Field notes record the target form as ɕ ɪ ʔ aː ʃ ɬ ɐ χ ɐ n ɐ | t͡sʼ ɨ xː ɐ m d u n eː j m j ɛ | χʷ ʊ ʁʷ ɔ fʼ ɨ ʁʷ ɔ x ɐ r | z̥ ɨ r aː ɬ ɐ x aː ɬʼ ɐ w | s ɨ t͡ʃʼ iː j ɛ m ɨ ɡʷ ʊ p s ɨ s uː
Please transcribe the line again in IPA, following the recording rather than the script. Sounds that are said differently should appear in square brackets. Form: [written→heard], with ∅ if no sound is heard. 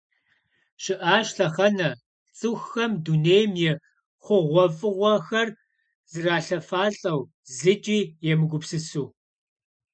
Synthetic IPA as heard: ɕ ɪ ʔ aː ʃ ɬ ɐ χ ɐ n ɐ | t͡sʼ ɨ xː ɐ m d u n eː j m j ɛ | χʷ ʊ ʁʷ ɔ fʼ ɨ ʁʷ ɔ x ɐ r | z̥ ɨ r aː ɬ ɐ [x→f] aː ɬʼ ɐ w | [s→z] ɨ t͡ʃʼ iː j ɛ m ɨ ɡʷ ʊ p s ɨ s uː